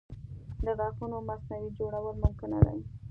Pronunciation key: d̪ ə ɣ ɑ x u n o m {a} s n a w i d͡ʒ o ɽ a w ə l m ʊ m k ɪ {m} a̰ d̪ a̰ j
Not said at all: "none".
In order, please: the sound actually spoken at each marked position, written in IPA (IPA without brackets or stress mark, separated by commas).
a, n